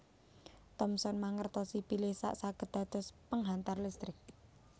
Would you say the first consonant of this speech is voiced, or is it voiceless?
voiceless